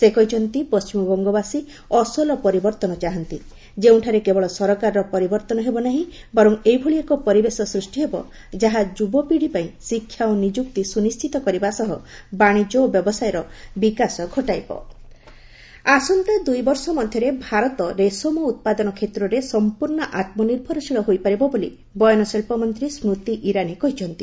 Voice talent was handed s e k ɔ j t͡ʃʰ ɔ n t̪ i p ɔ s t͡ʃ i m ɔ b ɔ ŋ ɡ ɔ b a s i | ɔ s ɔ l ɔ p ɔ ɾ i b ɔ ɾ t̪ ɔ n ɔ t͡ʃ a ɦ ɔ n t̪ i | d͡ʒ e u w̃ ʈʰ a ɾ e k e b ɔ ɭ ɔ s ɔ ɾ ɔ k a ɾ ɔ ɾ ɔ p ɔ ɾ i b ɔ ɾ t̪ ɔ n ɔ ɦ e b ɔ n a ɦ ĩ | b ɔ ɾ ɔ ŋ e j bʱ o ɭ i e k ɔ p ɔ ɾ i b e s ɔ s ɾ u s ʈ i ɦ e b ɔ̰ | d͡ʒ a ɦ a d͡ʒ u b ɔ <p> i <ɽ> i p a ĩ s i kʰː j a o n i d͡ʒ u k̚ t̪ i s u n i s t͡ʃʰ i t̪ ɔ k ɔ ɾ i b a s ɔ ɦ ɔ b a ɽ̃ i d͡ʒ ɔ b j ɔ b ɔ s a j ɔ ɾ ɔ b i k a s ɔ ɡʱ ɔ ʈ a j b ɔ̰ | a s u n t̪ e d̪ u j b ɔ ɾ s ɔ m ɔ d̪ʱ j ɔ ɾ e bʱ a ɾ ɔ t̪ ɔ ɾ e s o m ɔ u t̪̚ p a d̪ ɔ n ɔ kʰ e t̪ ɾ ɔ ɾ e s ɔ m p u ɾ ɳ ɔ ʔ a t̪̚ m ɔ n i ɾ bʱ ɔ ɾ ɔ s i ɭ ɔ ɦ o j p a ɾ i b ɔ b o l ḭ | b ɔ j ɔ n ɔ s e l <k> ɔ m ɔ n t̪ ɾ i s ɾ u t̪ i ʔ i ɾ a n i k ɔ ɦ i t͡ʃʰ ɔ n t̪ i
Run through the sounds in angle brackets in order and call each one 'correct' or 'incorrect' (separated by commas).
correct, correct, incorrect